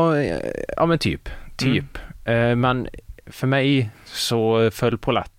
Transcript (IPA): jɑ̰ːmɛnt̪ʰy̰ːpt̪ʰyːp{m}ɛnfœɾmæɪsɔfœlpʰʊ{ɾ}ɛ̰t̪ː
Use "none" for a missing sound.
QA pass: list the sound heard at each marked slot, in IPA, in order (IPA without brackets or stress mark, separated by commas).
m, l